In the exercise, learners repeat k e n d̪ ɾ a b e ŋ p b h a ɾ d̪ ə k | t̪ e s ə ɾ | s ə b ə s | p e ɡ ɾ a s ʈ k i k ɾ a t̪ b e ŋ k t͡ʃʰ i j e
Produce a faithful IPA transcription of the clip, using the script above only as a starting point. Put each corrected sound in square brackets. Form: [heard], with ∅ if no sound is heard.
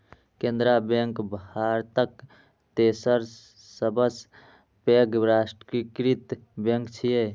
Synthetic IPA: k e n d̪ ɾ a b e ŋ [k] b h a ɾ [t̪] ə k | t̪ e s ə ɾ | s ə b ə s | p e ɡ ɾ a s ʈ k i k ɾ [i] t̪ b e ŋ k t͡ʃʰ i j e